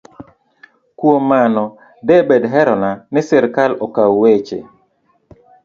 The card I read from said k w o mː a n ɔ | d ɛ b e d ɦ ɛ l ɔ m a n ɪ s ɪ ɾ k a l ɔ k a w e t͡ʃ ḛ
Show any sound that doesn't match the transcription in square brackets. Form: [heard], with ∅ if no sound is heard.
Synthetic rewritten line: k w o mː a n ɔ | d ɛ b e d ɦ ɛ [ɾ] ɔ [n] a n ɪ s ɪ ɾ k a l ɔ k a w e t͡ʃ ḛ